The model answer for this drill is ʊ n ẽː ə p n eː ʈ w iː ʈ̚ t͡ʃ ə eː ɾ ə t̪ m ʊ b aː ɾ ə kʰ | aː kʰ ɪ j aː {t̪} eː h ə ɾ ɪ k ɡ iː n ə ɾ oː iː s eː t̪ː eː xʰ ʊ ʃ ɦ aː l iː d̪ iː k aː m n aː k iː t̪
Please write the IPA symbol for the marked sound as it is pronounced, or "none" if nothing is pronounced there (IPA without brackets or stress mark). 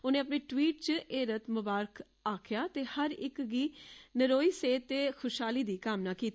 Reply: t̪